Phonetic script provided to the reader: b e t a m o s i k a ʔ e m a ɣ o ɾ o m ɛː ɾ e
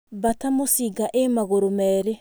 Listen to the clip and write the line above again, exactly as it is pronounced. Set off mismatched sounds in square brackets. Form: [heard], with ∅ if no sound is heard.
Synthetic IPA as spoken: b [a] t a m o s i [ɡ] a ʔ e m a ɣ o ɾ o m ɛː ɾ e